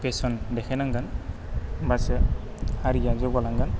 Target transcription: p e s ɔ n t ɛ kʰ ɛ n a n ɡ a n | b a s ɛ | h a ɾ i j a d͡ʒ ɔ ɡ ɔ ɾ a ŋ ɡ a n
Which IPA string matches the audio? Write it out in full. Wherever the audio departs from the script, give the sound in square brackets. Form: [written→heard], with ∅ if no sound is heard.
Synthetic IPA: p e s ɔ n [t→d] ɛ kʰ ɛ n a [n→ŋ] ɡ a n | b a s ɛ | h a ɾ i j a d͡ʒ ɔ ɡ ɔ [ɾ→l] a ŋ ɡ a n